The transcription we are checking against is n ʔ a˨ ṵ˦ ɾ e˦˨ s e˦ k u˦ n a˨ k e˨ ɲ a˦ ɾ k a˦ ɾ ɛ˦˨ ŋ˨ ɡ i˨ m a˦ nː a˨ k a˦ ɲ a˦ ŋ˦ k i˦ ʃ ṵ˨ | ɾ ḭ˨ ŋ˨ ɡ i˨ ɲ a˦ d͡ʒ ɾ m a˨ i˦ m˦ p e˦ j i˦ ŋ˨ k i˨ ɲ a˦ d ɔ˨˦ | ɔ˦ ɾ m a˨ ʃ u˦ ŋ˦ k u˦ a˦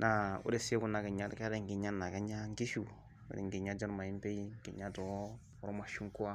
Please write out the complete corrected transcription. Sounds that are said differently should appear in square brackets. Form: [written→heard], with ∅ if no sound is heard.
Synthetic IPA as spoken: n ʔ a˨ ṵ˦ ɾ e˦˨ s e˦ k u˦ n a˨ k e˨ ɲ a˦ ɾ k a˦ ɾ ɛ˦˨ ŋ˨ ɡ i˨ [m→ɲ] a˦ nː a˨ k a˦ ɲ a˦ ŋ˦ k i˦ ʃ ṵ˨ | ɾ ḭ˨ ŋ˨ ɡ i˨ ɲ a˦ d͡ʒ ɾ m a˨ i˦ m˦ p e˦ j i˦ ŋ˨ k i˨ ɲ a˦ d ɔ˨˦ | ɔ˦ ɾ m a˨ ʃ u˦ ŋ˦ k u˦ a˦